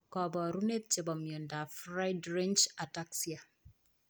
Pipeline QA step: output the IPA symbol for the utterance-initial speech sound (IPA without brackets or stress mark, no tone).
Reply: k